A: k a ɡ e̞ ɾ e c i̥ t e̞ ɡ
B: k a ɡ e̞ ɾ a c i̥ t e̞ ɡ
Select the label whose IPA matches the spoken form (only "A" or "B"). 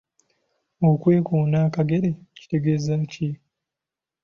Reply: A